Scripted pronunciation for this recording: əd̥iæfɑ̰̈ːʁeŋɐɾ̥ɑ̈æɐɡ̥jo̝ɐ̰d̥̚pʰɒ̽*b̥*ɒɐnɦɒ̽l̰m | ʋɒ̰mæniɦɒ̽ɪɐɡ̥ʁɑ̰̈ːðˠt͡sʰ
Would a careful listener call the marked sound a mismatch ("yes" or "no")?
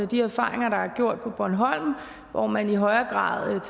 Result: no